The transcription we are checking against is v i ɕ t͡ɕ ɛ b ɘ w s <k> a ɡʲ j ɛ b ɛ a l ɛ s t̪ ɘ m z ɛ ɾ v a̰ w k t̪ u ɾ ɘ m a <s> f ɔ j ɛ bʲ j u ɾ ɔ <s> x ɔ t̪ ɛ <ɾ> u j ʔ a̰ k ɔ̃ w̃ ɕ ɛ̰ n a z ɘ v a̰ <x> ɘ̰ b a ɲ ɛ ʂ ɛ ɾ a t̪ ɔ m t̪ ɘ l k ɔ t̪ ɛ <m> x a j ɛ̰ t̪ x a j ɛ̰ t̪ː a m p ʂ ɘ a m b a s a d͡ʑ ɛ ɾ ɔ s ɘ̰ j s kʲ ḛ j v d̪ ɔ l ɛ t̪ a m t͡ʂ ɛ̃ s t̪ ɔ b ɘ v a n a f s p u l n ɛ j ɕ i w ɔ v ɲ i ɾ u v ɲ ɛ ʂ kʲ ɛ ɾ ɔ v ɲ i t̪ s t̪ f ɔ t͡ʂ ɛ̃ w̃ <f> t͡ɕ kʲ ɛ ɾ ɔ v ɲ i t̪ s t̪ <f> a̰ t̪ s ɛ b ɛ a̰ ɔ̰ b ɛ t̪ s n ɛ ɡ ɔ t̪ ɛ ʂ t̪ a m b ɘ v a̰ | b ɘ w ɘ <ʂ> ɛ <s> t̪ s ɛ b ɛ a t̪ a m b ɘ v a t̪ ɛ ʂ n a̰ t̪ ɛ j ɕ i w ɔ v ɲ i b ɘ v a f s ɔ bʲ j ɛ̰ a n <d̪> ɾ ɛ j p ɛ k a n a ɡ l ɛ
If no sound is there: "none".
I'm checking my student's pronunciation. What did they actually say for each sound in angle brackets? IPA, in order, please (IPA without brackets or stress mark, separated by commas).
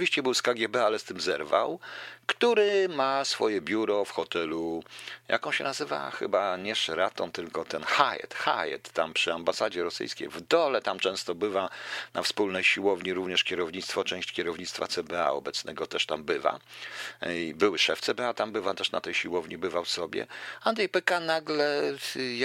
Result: k, s, f, l, x, n, ɕ, f, ʂ, f, d̪